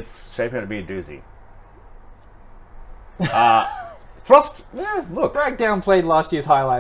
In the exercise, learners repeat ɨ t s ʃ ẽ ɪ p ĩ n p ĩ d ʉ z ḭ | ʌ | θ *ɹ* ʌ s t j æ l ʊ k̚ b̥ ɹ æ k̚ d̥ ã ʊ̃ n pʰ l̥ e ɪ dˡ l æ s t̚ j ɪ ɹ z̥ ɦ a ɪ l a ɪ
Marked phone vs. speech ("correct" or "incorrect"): correct